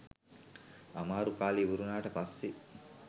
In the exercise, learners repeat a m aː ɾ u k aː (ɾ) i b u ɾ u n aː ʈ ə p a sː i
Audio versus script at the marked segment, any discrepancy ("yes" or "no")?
yes